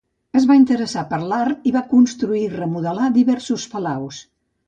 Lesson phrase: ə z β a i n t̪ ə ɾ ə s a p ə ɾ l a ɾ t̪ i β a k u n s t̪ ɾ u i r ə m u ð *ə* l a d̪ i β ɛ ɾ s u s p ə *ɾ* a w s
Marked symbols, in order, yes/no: yes, no

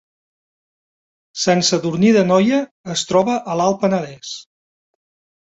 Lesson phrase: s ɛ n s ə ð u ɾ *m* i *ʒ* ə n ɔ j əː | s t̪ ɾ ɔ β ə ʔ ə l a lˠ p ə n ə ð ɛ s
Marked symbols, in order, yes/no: no, no

